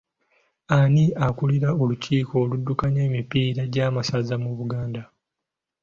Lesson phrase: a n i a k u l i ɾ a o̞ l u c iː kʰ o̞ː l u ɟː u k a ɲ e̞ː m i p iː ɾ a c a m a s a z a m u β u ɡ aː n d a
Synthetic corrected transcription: a n i a k u l i ɾ a o̞ l u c iː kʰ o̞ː l u dː u k a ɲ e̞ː m i p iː ɾ a ɟ a m a s a z a m u β u ɡ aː n d a

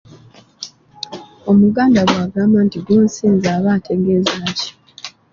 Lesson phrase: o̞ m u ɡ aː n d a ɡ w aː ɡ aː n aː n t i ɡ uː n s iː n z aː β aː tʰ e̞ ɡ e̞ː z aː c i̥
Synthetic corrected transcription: o̞ m u ɡ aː n d a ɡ w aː ɡ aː m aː n t i ɡ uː n s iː n z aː β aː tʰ e̞ ɡ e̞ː z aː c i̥

